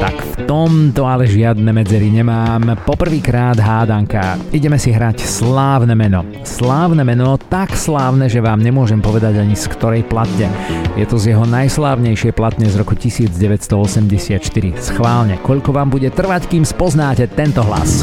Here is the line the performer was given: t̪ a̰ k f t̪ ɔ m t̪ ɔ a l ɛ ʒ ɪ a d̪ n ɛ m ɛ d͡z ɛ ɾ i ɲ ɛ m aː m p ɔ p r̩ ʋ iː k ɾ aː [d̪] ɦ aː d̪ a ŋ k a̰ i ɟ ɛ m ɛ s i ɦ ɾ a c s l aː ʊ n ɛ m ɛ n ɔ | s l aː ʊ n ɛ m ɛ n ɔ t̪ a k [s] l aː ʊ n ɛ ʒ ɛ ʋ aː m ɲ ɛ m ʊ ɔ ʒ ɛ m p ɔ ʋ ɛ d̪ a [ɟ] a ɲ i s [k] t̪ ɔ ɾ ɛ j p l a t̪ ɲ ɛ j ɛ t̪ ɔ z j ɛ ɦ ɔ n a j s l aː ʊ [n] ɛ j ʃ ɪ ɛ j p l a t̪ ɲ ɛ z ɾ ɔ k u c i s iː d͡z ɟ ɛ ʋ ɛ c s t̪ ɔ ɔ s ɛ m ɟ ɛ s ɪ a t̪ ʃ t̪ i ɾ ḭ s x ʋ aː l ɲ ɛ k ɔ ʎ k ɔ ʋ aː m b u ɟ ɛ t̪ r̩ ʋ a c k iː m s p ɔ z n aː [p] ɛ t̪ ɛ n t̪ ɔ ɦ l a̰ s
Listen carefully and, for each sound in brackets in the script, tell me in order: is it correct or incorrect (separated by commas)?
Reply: correct, correct, correct, correct, incorrect, incorrect